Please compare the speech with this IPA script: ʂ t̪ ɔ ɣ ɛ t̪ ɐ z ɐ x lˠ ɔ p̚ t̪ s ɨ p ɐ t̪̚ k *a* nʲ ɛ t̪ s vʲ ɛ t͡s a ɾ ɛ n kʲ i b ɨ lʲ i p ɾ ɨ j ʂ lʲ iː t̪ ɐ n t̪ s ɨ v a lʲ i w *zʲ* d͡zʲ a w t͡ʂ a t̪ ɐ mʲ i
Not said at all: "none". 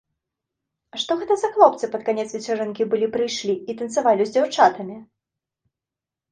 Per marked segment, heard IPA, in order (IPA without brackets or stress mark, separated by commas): a, zʲ